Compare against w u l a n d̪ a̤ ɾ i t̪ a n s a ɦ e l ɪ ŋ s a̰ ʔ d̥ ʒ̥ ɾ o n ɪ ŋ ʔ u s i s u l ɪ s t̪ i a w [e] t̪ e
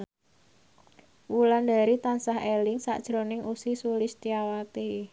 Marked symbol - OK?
no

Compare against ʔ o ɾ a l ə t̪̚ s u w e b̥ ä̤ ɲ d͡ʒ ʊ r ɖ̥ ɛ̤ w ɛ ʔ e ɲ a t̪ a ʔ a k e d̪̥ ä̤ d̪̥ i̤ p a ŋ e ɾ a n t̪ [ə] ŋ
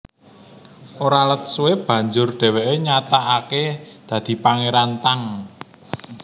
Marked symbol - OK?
no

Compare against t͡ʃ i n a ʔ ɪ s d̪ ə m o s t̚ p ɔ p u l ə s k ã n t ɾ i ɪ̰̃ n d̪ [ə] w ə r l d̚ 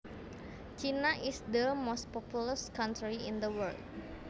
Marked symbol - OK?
yes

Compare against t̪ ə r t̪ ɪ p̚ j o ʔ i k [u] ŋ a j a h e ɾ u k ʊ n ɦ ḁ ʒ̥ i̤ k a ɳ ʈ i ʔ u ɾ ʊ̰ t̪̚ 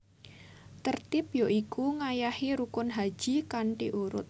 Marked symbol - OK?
yes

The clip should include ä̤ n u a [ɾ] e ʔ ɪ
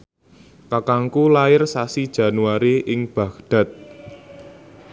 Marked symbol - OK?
yes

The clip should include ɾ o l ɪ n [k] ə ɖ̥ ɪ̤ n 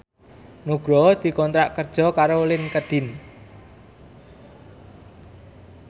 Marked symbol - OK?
yes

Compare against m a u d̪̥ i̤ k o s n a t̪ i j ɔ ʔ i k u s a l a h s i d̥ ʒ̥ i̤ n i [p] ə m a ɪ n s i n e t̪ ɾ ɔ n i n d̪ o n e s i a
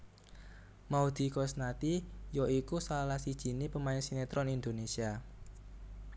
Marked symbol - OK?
yes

